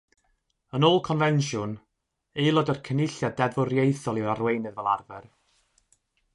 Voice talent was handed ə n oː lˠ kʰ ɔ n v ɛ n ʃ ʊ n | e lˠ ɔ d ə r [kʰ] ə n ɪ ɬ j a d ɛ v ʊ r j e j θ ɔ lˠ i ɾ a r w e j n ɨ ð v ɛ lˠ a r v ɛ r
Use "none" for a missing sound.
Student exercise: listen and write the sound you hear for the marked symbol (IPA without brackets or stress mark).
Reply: kʰ